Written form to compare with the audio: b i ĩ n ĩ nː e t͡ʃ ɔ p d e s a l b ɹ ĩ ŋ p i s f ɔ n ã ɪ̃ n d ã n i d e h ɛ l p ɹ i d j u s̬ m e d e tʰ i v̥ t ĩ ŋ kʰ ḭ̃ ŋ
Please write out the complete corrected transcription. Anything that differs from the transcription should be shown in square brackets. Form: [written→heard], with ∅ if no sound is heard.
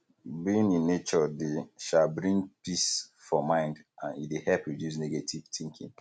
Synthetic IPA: b i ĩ n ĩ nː e t͡ʃ ɔ [p→∅] d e [s→ʃ] a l b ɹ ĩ ŋ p i s f ɔ [n→m] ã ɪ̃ n d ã n i d e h ɛ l p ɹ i d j u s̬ [m→n] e [d→ɡ] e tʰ i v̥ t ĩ ŋ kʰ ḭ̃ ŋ